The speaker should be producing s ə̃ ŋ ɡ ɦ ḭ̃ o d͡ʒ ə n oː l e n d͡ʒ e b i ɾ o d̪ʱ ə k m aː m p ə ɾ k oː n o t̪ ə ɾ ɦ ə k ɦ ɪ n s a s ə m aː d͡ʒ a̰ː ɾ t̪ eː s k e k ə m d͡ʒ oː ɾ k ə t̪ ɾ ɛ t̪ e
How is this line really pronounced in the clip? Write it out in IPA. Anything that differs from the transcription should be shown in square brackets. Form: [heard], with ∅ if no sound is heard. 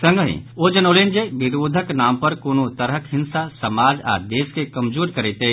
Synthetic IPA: s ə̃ ŋ ɡ ɦ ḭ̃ o d͡ʒ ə n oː l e n d͡ʒ e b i ɾ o d̪ʱ ə k [n] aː m p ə ɾ k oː n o t̪ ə ɾ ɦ ə k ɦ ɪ n s a s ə m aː d͡ʒ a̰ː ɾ [d̪] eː s k e k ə m d͡ʒ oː ɾ k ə [∅] ɾ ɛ t̪ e